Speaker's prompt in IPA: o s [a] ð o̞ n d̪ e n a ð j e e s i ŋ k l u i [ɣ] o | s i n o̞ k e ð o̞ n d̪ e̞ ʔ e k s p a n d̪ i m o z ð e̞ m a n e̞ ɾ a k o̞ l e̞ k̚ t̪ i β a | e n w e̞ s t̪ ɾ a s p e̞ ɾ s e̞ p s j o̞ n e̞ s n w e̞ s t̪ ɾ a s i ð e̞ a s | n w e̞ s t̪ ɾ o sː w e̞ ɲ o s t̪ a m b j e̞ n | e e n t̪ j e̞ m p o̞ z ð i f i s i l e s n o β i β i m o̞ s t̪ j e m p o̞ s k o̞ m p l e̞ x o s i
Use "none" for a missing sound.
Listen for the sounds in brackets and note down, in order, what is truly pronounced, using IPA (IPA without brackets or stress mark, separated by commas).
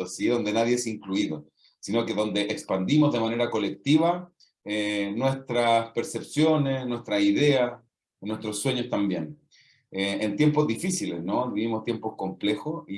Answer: i, ð